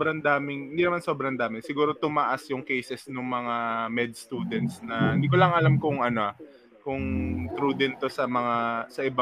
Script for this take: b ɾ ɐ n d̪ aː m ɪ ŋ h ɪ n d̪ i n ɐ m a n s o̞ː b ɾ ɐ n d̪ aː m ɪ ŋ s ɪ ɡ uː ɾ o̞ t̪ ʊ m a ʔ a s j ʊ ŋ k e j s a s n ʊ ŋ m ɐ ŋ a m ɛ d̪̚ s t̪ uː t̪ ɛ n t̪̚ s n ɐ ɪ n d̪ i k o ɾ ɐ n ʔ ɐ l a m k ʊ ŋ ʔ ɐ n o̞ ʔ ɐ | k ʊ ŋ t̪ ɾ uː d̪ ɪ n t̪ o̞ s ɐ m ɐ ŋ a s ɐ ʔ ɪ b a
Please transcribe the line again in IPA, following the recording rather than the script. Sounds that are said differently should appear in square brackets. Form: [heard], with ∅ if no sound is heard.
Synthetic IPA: b ɾ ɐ n d̪ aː m ɪ ŋ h ɪ n d̪ i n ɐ m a n s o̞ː b ɾ ɐ n d̪ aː m ɪ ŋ s ɪ ɡ uː ɾ o̞ t̪ ʊ m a ʔ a s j ʊ ŋ k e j s [ɛ] s n ʊ ŋ m ɐ ŋ a m ɛ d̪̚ s t̪ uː [d̪] ɛ n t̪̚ s n ɐ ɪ n d̪ i k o [l] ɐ [ŋ] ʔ ɐ l a m k ʊ ŋ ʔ ɐ n o̞ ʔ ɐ | k ʊ ŋ t̪ ɾ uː d̪ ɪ n t̪ o̞ s ɐ m ɐ ŋ a s ɐ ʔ ɪ b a